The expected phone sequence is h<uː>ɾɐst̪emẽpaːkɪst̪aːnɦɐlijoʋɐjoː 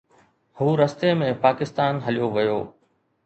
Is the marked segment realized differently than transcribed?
no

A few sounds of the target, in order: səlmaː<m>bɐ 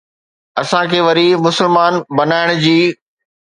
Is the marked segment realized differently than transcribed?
yes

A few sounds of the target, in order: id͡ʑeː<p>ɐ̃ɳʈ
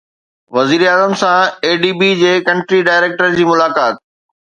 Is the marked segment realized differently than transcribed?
yes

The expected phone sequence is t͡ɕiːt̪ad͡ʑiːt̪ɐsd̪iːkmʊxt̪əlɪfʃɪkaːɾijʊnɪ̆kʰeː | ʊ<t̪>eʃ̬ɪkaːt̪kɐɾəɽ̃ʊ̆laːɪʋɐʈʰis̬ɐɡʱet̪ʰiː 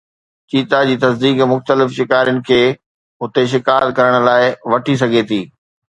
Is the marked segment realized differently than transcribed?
no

